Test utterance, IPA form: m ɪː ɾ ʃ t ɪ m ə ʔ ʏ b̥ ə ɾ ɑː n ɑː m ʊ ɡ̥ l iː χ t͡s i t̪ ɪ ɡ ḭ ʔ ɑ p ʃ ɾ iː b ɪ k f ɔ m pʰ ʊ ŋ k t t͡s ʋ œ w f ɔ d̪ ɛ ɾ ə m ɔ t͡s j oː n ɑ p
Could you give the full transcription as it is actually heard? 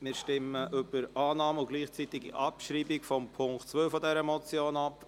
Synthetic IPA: m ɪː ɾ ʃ t ɪ m ə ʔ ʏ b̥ ə ɾ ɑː n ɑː m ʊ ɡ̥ l iː χ t͡s i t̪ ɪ ɡ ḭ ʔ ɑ p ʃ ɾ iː b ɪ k f ɔ m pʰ ʊ ŋ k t t͡s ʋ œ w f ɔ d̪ ɛ ɾ ə m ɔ t͡s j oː n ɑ p